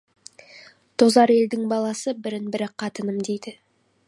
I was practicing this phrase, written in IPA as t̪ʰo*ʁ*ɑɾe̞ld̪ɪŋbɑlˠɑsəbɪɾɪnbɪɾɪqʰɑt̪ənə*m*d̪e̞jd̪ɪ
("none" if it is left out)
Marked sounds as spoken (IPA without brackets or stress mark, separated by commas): z, m